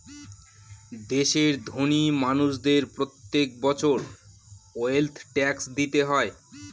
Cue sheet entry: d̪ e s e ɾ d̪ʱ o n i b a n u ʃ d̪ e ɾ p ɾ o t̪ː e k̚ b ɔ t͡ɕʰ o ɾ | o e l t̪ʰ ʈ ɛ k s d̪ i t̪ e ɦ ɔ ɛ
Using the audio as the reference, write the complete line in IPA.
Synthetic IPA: d̪ e ʃ e ɾ d̪ʱ o n i m a n u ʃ d̪ e ɾ p ɾ o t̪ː e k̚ b ɔ t͡ɕʰ o ɾ | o e l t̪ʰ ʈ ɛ k s d̪ i t̪ e ɦ ɔ e